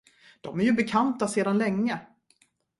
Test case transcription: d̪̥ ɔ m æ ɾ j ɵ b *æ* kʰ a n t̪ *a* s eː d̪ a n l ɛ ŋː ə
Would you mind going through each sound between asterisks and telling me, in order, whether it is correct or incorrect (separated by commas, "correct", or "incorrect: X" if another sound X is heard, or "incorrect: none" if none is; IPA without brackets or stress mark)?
incorrect: ɛ, correct